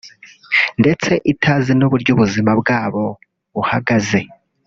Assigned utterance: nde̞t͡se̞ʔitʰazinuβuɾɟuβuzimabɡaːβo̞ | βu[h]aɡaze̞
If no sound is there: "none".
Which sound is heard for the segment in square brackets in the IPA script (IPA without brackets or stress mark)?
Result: h